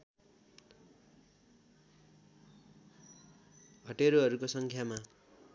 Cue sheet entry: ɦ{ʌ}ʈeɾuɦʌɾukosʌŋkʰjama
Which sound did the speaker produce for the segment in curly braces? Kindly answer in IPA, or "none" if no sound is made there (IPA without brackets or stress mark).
ʌ